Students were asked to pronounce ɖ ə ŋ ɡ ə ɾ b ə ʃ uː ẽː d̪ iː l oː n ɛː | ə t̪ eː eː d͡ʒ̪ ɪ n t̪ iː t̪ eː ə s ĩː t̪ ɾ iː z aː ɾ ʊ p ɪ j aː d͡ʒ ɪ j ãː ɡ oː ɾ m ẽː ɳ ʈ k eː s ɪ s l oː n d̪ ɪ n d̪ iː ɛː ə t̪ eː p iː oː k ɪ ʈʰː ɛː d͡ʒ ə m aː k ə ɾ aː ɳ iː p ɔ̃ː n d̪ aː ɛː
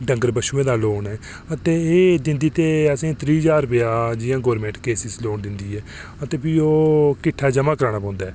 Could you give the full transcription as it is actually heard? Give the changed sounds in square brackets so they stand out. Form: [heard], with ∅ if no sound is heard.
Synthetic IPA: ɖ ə ŋ ɡ ə ɾ b ə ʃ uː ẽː d̪ [aː] l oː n ɛː | ə t̪ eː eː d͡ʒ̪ ɪ n [d̪] iː t̪ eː ə s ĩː t̪ ɾ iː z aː ɾ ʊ p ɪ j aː d͡ʒ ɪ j ãː ɡ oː ɾ m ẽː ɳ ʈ k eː s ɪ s l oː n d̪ ɪ n d̪ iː ɛː ə t̪ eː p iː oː k ɪ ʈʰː [aː] d͡ʒ ə m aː k ə ɾ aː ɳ [aː] p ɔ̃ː n d̪ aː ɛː